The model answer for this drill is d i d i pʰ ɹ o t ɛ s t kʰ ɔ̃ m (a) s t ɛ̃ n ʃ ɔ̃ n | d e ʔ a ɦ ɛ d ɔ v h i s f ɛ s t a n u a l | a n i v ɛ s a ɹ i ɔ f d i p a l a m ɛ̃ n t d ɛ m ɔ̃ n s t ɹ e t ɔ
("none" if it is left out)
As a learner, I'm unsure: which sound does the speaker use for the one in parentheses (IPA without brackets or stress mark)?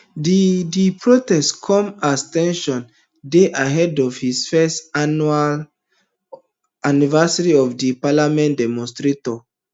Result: a